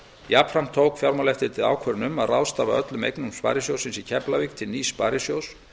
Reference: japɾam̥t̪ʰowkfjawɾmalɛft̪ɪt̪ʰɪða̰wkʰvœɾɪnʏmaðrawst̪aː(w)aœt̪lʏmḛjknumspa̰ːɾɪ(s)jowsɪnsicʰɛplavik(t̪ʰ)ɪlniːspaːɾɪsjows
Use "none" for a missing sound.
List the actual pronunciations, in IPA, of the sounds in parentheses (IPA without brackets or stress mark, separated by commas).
v, s, t̪ʰ